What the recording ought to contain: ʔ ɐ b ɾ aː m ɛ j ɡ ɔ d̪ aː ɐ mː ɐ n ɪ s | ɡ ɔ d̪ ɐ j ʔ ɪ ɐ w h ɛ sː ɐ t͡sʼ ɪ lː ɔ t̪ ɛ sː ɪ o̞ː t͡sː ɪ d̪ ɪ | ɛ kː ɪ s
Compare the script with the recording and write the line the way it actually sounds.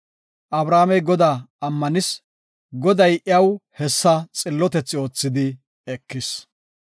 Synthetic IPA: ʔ ɐ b ɾ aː m ɛ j ɡ ɔ d̪ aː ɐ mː ɐ n ɪ s | ɡ ɔ d̪ ɐ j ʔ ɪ ɐ w h ɛ sː ɐ t͡sʼ ɪ lː ɔ t̪ ɛ t͡sː ɪ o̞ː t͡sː ɪ d̪ ɪ | ɛ kː ɪ s